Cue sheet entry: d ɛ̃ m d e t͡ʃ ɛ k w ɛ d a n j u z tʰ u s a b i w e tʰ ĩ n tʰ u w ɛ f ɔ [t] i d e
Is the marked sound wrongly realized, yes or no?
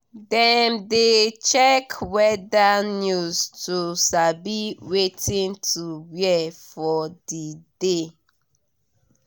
yes